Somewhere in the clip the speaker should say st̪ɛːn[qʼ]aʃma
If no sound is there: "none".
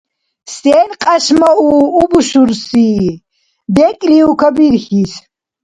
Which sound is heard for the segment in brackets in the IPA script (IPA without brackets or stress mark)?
qʼ